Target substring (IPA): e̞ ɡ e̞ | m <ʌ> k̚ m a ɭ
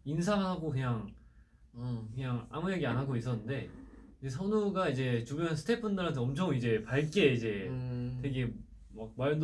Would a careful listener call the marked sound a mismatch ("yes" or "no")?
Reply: yes